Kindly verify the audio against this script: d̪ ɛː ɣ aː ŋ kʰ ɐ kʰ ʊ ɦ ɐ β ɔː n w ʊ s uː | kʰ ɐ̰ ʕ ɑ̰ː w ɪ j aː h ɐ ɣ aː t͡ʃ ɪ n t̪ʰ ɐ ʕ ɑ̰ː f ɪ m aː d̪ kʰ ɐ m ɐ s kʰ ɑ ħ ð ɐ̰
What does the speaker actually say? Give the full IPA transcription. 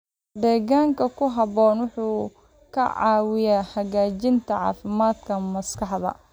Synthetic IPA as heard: d̪ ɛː ɣ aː ŋ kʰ ɐ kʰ ʊ ɦ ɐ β ɔː n w ʊ ħ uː | kʰ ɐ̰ ʕ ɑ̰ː w ɪ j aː h ɐ ɣ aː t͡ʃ ɪ n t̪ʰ ɐ ʕ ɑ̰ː f ɪ m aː d̪ kʰ ɐ m ɐ s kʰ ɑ ħ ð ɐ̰